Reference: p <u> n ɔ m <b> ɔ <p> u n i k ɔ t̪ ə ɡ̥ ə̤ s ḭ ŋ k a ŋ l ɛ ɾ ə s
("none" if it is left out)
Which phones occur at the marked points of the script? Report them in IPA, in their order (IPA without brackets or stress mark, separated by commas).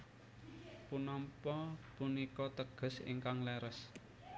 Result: u, p, p